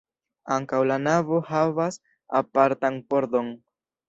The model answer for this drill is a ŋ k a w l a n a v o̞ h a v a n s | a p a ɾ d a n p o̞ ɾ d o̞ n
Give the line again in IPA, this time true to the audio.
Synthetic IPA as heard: a ŋ k a w l a n a v o̞ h a v a s | a p a ɾ t a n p o̞ ɾ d o̞ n